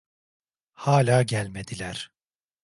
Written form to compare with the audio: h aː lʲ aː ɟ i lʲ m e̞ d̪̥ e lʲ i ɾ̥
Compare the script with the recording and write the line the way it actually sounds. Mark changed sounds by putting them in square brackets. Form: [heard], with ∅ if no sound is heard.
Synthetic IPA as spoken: h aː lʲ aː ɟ [æ] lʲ m e̞ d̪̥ [i] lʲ [æ] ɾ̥